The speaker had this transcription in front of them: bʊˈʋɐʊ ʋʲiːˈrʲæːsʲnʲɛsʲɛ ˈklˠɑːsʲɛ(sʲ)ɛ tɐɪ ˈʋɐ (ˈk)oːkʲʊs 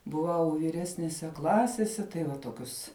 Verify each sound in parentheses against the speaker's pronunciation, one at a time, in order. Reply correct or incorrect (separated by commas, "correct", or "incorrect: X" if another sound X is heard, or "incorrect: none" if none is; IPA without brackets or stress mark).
correct, incorrect: t